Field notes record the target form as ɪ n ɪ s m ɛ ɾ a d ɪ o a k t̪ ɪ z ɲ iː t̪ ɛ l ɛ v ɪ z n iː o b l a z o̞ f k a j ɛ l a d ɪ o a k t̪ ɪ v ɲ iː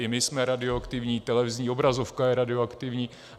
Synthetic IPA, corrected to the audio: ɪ m ɪ s m ɛ ɾ a d ɪ o a k t̪ ɪ v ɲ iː t̪ ɛ l ɛ v ɪ z ɲ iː o b ɾ a z o̞ f k a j ɛ ɾ a d ɪ o a k t̪ ɪ v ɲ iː